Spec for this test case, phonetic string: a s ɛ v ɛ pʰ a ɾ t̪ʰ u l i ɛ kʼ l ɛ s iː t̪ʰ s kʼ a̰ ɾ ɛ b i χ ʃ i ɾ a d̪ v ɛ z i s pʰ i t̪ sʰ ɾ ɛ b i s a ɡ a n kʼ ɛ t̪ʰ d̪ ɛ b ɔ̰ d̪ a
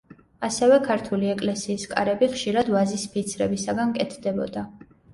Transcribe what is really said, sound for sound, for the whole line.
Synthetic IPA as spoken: a s ɛ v ɛ kʰ a ɾ t̪ʰ u l i ɛ kʼ l ɛ s iː s kʼ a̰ ɾ ɛ b i χ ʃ i ɾ a d̪ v a z i s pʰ i t̪ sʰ ɾ ɛ b i s a ɡ a n kʼ ɛ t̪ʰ d̪ ɛ b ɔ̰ d̪ a

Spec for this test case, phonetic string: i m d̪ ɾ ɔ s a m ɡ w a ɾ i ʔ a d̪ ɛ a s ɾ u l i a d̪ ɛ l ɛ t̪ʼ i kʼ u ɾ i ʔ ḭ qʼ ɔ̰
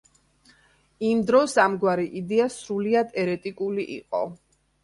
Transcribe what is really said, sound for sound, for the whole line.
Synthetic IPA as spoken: i m d̪ ɾ ɔ s a m ɡ w a ɾ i ʔ i d̪ ɛ a s ɾ u l i a d̪ ɛ ɾ ɛ t̪ʼ i kʼ u l i ʔ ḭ qʼ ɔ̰

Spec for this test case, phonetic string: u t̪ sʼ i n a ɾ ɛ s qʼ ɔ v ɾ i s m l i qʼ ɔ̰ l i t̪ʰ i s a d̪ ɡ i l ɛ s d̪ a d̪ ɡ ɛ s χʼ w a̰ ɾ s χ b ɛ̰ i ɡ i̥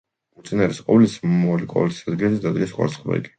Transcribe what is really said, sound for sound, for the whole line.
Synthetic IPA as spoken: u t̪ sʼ i n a ɾ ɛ s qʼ ɔ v l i s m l i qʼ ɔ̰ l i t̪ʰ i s a d̪ ɡ i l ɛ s d̪ a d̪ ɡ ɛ s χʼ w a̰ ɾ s χ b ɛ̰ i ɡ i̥

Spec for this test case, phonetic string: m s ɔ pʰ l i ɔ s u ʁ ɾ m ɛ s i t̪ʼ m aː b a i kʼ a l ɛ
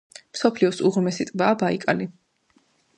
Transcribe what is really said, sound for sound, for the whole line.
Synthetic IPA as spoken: m s ɔ pʰ l i ɔ s u ʁ ɾ m ɛ s i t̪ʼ b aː b a i kʼ a l i

